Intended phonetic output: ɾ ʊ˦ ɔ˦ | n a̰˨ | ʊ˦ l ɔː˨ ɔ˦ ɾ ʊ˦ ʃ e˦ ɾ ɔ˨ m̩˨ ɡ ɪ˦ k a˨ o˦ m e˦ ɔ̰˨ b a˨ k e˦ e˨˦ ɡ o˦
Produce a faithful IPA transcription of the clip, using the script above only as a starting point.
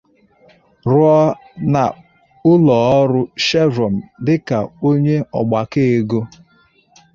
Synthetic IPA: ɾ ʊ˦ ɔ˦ | n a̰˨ | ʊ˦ l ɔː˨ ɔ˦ ɾ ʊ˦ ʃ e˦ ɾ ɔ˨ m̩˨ d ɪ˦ k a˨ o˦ ɲ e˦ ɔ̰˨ ɡ͡b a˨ k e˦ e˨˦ ɡ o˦